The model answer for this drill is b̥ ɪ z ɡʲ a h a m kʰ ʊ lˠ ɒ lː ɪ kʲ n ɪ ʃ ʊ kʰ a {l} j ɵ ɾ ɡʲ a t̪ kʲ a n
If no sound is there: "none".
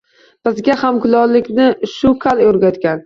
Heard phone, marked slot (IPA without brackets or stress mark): l